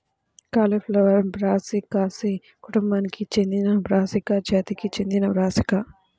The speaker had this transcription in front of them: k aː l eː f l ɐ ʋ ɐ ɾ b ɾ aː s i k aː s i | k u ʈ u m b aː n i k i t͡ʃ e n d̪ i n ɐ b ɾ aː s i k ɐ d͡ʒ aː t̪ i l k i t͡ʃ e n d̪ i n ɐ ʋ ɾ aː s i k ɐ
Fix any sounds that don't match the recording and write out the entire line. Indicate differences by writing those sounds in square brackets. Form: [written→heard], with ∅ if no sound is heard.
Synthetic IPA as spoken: k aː l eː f l ɐ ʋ ɐ ɾ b ɾ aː s i k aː s i | k u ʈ u m b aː n i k i t͡ʃ e n d̪ i n ɐ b ɾ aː s i k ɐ d͡ʒ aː t̪ i [l→∅] k i t͡ʃ e n d̪ i n ɐ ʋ ɾ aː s i k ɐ

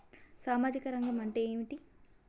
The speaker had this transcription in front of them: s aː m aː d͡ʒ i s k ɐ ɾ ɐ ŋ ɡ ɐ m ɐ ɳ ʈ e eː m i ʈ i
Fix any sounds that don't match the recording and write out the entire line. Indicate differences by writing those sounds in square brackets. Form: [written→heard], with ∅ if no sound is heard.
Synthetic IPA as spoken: s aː m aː d͡ʒ i [s→∅] k ɐ ɾ ɐ ŋ ɡ ɐ m ɐ ɳ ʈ e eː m i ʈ i

